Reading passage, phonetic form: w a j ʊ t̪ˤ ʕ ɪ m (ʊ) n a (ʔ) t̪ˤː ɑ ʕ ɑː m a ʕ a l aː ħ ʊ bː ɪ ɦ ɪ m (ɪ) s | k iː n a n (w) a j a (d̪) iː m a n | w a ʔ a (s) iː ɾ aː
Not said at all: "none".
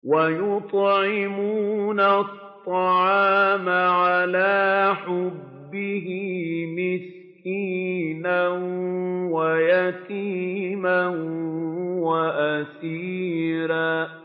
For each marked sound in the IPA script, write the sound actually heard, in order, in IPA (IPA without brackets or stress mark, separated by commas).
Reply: u, t, ɪ, w, t̪, s